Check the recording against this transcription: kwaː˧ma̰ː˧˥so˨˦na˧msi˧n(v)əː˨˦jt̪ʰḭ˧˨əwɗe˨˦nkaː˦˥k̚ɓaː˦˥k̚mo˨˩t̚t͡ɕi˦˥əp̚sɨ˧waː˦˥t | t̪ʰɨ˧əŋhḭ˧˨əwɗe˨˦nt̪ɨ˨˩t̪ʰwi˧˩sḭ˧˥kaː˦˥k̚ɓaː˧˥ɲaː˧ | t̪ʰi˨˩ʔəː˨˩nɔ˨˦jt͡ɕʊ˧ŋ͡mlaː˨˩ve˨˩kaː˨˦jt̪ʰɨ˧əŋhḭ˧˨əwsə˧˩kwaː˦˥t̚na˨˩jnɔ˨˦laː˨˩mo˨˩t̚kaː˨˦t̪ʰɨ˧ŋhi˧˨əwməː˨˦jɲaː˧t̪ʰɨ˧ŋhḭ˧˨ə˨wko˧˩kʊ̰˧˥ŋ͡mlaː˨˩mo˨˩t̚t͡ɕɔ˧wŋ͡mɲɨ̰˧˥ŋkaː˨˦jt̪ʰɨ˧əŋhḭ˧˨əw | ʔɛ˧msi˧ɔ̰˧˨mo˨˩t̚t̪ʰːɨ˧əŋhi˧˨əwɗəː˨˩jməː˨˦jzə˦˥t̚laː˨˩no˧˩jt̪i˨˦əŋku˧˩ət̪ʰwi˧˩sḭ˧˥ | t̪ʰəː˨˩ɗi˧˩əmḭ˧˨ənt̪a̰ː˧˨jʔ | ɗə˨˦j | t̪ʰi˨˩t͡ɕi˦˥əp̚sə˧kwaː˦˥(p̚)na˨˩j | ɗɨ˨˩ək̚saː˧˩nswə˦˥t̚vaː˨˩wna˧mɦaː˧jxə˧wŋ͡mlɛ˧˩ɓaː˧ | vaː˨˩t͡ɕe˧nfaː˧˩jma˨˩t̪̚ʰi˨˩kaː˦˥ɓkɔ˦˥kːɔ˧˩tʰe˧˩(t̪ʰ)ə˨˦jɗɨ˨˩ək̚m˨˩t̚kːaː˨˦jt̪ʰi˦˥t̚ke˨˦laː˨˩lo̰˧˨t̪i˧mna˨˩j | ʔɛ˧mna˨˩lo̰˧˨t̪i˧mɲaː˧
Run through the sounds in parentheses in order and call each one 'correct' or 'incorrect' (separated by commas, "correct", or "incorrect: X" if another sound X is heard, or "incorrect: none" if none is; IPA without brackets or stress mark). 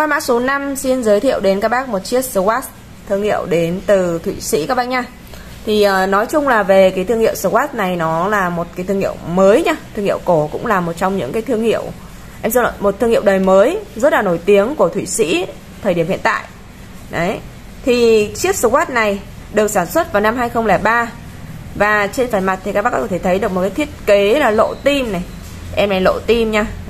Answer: incorrect: z, incorrect: t̚, correct